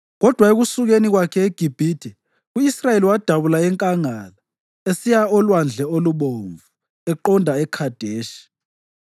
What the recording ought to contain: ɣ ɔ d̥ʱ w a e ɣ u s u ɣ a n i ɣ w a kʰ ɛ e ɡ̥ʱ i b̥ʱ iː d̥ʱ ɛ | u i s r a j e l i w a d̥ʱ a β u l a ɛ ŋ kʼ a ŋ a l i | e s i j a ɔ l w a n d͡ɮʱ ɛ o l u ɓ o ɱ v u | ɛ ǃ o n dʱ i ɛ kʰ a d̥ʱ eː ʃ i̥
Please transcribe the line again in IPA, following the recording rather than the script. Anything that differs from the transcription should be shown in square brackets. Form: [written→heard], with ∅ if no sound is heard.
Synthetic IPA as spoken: ɣ ɔ d̥ʱ w a e ɣ u s u ɣ [a→e] n i ɣ w a kʰ ɛ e ɡ̥ʱ i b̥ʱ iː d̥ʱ ɛ | u i s r a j e l i w a d̥ʱ a β u l a ɛ ŋ kʼ a ŋ a l [i→a] | e s i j a ɔ l w a n d͡ɮʱ ɛ o l u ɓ o ɱ v u | ɛ ǃ [o→ɔ] n dʱ [i→a] ɛ kʰ a d̥ʱ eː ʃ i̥

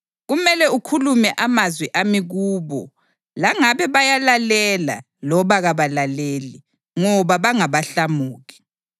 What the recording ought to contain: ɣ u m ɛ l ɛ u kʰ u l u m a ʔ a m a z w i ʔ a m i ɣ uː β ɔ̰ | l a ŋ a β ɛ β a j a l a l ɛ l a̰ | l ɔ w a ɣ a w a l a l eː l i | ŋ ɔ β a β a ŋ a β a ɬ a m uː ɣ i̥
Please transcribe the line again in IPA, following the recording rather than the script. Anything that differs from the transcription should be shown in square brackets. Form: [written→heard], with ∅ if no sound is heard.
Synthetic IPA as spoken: ɣ u m ɛ l ɛ u kʰ u l u m [a→ɛ] ʔ a m a z w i ʔ a m i ɣ uː β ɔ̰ | l a ŋ a β ɛ β a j a l a l ɛ l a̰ | l ɔ [w→β] a ɣ a [w→β] a l a l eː l i | ŋ ɔ β a β a ŋ a β a ɬ a m uː ɣ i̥

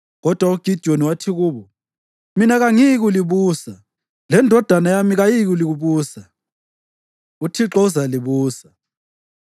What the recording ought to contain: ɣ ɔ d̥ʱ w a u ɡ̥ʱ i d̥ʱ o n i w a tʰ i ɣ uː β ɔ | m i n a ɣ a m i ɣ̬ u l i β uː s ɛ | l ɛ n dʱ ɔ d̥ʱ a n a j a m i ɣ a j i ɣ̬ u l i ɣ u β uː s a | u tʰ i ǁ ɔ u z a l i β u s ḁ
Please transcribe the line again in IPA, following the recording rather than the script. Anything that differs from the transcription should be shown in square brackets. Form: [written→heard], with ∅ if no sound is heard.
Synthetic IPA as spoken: ɣ ɔ d̥ʱ w a u ɡ̥ʱ i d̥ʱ o n i w a tʰ i ɣ uː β ɔ | m i n a ɣ a [m→ŋ] i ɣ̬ u l i β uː s [ɛ→a] | l ɛ n dʱ ɔ d̥ʱ a n a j a m i ɣ a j i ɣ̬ u l i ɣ u β uː s a | u tʰ i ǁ ɔ u z a l i β [u→uː] s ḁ

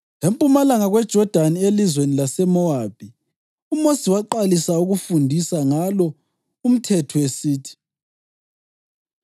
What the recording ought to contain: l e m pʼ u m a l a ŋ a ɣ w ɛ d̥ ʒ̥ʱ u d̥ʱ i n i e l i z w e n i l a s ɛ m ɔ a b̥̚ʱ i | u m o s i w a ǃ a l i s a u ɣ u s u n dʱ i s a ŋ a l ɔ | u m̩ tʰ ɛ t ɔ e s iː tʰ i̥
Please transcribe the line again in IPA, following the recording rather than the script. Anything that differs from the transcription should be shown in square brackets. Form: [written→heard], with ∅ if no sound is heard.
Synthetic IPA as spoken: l e m pʼ u m a l a ŋ a ɣ w ɛ d̥ ʒ̥ʱ [u→ɔ] d̥ʱ [i→a] n i e l i z w e n i l a s ɛ m ɔ a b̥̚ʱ i | u m o s i w a ǃ a l i s a u ɣ u [s→f] u n dʱ i s a ŋ a l ɔ | u m̩ tʰ ɛ [t→tʰ] ɔ e s iː tʰ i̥

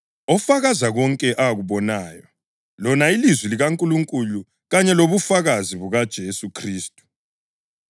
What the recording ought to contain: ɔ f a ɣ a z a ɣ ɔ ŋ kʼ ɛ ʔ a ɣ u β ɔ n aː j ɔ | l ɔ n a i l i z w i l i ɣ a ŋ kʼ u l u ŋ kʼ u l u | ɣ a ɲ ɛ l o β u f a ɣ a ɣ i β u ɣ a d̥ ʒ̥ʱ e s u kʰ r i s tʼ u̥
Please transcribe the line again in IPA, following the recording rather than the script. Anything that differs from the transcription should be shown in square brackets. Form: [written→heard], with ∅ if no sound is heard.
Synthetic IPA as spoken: ɔ f a ɣ a z a ɣ ɔ ŋ kʼ ɛ ʔ a ɣ u β ɔ n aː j ɔ | l ɔ n a i l i z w i l i ɣ a ŋ kʼ u l u ŋ kʼ u l u | ɣ a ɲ ɛ l o β u f a ɣ a [ɣ→z] i β u ɣ a d̥ ʒ̥ʱ e s u kʰ r [i→iː] s tʼ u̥

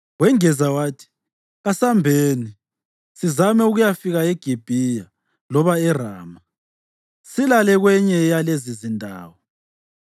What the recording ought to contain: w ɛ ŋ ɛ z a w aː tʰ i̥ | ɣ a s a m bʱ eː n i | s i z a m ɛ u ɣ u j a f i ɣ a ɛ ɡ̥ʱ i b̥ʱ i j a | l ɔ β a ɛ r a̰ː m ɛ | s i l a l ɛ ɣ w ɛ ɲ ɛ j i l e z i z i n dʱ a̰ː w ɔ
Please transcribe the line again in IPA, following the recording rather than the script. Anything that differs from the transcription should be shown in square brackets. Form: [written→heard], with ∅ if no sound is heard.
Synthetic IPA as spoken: w ɛ ŋ ɛ z a w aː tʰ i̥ | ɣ a s a m bʱ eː n i | s i z a m ɛ u ɣ u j a f i ɣ a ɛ ɡ̥ʱ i b̥ʱ i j a | l ɔ β a ɛ r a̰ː m [ɛ→a] | s i l a l ɛ ɣ w ɛ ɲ ɛ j [i→a] l e z i z i n dʱ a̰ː w ɔ

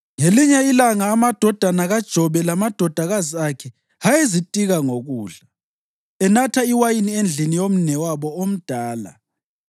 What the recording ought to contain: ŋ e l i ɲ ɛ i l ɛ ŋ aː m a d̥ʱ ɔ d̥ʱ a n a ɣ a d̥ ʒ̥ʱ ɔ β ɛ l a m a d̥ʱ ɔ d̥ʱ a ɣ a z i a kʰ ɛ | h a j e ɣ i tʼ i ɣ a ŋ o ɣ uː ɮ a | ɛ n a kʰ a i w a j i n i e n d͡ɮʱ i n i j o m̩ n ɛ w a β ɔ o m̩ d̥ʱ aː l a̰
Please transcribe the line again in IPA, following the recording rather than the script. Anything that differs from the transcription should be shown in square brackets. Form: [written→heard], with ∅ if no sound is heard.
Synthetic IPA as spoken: ŋ e l i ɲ ɛ i l [ɛ→a] ŋ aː m a d̥ʱ ɔ d̥ʱ a n a ɣ a d̥ ʒ̥ʱ ɔ β ɛ l a m a d̥ʱ ɔ d̥ʱ a ɣ a z i a kʰ ɛ | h a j e [ɣ→z] i tʼ i ɣ a ŋ o ɣ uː ɮ a | ɛ n a [kʰ→tʰ] a i w a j i n i e n d͡ɮʱ i n i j o m̩ n ɛ w a β ɔ o m̩ d̥ʱ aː l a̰

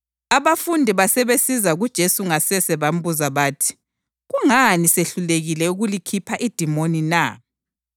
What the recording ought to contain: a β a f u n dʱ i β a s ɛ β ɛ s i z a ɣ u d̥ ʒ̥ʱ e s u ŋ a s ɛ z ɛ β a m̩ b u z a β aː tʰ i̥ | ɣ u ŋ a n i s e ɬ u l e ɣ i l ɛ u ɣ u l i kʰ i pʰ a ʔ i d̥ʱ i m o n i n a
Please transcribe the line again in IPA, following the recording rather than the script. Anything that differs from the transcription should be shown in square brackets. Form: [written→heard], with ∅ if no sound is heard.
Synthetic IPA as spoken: a β a f u n dʱ i β a s ɛ β [ɛ→e] s i z a ɣ u d̥ ʒ̥ʱ e s u ŋ a s ɛ [z→s] ɛ β a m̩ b u z a β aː tʰ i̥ | ɣ u ŋ a n i s e ɬ u l e ɣ i l ɛ u ɣ u l i kʰ i pʰ a ʔ i d̥ʱ i m o n i n a

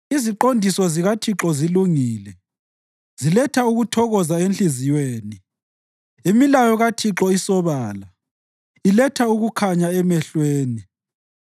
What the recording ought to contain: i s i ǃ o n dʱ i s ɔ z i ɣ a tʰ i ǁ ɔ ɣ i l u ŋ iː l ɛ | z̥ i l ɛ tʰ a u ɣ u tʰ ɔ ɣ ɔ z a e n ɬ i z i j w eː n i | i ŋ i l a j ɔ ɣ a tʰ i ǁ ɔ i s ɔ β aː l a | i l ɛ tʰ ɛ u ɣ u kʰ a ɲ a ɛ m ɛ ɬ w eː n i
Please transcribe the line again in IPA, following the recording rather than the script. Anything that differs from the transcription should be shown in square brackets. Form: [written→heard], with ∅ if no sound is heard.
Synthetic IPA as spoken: i [s→z] i ǃ o n dʱ i s ɔ z i ɣ a tʰ i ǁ ɔ [ɣ→z] i l u ŋ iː l ɛ | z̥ i l ɛ tʰ a u ɣ u tʰ ɔ ɣ ɔ z a e n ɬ i z i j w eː n i | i [ŋ→m] i l a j ɔ ɣ a tʰ i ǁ ɔ i s ɔ β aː l a | i l ɛ tʰ [ɛ→a] u ɣ u kʰ a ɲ a ɛ m ɛ ɬ w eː n i

